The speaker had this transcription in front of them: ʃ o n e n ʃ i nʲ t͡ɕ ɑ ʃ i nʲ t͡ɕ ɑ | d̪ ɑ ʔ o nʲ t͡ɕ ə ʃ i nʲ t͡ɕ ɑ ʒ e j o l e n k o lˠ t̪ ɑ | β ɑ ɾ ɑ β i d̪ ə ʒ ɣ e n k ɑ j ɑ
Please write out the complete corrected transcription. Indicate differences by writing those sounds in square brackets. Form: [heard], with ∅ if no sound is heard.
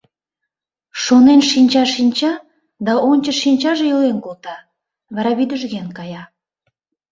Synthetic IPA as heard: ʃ o n e n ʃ i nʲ t͡ɕ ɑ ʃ i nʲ t͡ɕ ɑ | d̪ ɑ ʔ o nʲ t͡ɕ ə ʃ i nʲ t͡ɕ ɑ ʒ e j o l e n k o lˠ t̪ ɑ | β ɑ ɾ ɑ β i d̪ ə ʒ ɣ e n k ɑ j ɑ